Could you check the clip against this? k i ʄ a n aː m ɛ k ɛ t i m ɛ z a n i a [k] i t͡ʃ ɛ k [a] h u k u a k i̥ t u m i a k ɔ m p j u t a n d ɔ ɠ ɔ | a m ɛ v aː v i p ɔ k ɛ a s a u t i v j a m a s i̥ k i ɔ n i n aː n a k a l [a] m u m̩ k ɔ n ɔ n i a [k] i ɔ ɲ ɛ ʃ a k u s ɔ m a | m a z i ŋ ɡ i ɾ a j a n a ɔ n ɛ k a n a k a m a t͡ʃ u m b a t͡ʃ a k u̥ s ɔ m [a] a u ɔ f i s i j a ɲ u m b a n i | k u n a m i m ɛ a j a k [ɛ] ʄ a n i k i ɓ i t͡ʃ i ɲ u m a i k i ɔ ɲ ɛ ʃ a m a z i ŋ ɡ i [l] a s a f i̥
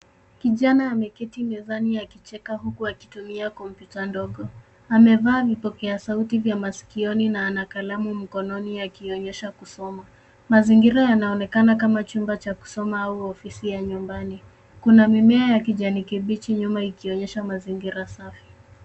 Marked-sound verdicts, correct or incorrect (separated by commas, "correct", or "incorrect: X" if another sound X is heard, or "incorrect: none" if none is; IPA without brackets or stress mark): correct, correct, correct, correct, correct, incorrect: i, incorrect: ɾ